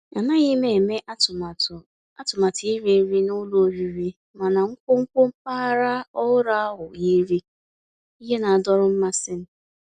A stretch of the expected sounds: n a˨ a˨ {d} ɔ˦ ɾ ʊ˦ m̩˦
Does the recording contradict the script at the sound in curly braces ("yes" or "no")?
no